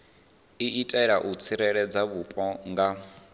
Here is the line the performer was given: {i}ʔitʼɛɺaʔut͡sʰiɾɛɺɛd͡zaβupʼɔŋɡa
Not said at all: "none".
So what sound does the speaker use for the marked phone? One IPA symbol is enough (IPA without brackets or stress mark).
i